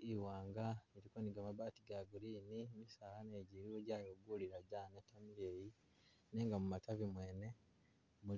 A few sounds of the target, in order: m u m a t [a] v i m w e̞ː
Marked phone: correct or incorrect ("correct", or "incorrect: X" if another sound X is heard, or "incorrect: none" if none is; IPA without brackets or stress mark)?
correct